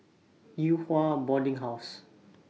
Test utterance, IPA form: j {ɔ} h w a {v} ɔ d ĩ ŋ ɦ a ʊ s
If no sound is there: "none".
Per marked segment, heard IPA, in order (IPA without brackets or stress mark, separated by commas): u, b